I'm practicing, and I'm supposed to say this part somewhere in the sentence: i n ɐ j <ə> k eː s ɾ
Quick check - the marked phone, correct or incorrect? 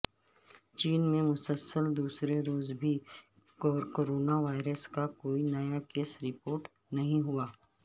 incorrect